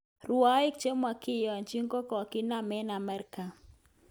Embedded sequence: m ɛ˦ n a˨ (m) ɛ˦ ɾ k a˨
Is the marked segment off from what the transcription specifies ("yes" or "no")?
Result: no